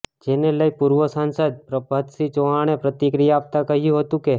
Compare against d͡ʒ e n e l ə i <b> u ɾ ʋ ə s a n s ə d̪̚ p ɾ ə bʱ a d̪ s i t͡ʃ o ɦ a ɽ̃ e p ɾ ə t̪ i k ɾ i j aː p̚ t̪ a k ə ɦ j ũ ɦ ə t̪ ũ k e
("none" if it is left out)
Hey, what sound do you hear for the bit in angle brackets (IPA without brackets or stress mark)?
p